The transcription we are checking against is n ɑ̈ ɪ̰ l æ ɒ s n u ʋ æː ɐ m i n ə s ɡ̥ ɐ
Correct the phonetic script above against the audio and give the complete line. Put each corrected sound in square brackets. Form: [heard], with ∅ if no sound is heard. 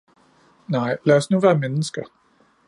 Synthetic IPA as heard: n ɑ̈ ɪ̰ l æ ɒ s n u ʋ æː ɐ m [e] n ə s ɡ̥ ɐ